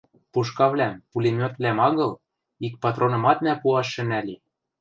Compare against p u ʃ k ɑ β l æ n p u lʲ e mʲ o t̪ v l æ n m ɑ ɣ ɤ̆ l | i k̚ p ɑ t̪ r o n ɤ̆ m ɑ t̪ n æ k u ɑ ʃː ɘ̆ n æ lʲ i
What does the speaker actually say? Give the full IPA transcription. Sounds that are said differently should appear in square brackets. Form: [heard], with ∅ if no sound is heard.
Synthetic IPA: p u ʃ k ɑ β l æ [m] p u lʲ e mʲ o t̪ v l æ [∅] m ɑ ɣ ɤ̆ l | i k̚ p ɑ t̪ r o n ɤ̆ m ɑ t̪ n æ [p] u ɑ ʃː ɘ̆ n æ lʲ i